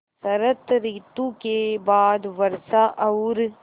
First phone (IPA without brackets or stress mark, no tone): s